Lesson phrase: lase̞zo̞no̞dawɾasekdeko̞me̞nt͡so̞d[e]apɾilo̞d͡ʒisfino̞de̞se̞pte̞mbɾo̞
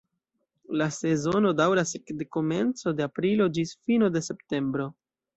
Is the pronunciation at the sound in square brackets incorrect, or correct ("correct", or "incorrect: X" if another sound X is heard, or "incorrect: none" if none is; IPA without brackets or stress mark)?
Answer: correct